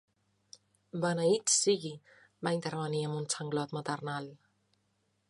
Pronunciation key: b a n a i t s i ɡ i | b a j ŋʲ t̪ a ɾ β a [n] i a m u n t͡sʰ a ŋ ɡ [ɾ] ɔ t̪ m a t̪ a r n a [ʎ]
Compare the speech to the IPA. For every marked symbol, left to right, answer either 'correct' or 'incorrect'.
correct, incorrect: l, incorrect: l

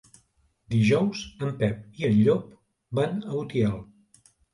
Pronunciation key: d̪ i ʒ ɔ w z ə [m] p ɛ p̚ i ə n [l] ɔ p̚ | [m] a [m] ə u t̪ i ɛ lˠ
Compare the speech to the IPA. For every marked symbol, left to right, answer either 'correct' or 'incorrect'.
correct, incorrect: ʎ, incorrect: b, incorrect: n

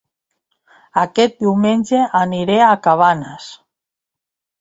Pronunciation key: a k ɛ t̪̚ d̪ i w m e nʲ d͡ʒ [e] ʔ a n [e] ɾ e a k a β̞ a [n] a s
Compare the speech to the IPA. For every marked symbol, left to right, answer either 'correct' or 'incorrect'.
correct, incorrect: i, correct

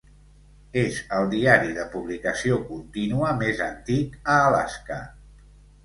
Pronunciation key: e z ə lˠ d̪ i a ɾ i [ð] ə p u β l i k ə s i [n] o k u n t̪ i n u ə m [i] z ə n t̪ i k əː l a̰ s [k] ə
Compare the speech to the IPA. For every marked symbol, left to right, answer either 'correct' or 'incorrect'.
correct, incorrect: none, incorrect: e, correct

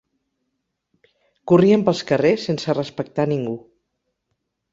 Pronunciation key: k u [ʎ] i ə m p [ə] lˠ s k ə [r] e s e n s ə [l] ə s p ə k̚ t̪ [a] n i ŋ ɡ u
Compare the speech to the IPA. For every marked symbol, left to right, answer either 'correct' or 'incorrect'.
incorrect: r, correct, correct, incorrect: r, correct

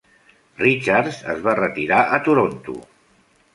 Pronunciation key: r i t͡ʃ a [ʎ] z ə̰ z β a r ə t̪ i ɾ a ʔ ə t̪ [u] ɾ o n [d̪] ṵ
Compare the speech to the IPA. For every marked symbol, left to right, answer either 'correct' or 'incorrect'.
incorrect: ɾ, correct, incorrect: t̪

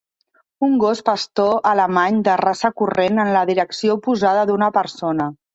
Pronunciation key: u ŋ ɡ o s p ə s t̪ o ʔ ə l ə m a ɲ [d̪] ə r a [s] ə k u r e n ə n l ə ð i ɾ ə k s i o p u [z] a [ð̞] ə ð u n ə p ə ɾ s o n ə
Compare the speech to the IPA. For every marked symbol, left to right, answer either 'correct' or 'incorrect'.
correct, correct, correct, correct

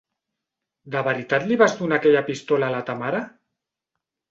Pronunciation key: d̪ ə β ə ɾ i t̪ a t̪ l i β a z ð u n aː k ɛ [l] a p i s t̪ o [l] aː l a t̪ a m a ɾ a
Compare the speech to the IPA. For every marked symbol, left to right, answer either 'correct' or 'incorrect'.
incorrect: ʎ, correct

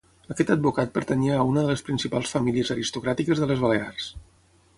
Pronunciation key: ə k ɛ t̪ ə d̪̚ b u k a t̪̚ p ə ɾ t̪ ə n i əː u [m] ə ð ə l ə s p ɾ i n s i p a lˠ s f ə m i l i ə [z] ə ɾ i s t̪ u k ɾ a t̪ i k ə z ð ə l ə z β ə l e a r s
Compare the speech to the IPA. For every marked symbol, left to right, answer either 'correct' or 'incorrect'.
incorrect: n, correct

